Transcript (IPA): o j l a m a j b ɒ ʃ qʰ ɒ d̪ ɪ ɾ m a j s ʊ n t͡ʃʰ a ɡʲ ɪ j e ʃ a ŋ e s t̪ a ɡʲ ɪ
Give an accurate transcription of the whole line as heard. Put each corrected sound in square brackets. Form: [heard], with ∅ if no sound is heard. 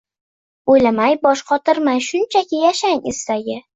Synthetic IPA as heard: o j l a m a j b ɒ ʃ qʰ ɒ [t̪] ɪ ɾ m a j [ʃ] ʊ n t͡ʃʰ a [kʲ] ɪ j [a] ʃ a ŋ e s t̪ a ɡʲ ɪ